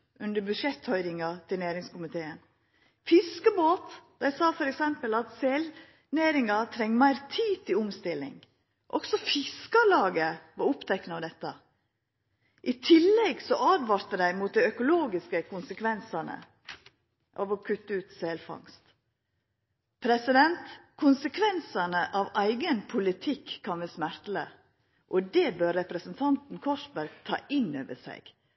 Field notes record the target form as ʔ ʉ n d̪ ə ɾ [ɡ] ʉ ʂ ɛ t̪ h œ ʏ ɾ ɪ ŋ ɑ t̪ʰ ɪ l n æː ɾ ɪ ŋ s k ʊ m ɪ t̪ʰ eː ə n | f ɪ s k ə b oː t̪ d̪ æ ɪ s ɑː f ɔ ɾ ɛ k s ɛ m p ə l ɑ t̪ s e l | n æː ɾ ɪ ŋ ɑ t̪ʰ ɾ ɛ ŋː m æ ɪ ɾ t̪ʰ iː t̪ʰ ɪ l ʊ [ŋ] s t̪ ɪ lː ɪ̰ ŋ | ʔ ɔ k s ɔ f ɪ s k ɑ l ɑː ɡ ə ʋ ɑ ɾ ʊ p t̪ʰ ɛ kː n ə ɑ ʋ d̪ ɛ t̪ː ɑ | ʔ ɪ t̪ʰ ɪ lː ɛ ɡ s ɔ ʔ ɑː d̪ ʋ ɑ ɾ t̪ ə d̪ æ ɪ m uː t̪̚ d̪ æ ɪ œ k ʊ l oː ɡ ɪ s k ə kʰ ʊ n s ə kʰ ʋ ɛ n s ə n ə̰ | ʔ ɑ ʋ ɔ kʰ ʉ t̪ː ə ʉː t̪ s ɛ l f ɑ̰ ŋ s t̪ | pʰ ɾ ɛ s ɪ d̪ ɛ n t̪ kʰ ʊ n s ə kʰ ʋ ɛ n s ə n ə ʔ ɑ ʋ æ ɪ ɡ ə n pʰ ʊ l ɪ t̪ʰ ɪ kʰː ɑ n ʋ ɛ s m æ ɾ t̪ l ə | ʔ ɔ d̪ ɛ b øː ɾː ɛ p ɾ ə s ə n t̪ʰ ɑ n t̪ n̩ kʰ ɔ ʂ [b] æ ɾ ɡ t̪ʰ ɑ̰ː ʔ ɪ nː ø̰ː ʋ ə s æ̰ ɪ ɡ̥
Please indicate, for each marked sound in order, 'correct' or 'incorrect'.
incorrect: b, incorrect: m, correct

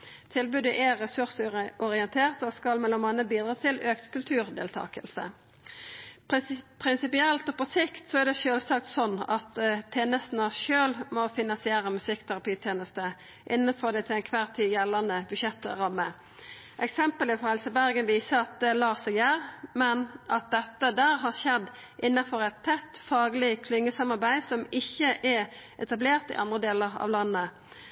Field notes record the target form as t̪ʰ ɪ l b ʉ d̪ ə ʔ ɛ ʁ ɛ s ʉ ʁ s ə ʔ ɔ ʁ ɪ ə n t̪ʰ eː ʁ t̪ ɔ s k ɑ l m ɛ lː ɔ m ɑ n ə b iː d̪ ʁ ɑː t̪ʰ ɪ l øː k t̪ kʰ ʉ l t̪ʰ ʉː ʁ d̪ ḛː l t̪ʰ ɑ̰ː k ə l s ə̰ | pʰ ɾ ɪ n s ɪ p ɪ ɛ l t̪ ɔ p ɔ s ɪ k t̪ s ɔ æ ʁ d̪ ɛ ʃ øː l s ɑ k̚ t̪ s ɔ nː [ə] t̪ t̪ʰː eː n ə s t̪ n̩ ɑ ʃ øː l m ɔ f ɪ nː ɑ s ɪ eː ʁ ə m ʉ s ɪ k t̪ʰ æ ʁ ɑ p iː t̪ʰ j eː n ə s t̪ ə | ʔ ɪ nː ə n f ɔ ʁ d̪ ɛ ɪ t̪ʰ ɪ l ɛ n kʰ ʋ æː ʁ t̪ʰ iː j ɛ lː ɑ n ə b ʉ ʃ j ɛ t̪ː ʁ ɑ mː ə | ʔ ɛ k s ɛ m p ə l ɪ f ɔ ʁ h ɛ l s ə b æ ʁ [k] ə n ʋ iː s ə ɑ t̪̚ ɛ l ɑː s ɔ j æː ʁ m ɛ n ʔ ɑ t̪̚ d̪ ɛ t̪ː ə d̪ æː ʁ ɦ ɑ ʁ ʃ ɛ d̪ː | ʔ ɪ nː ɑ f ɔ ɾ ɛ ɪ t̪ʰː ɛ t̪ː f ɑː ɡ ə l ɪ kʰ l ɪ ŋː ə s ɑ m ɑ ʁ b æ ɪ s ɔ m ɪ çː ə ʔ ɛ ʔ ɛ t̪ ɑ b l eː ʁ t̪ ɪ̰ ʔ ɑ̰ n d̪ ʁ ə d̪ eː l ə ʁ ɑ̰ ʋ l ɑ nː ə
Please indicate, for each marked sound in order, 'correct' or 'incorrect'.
incorrect: ɑ, incorrect: ɡ

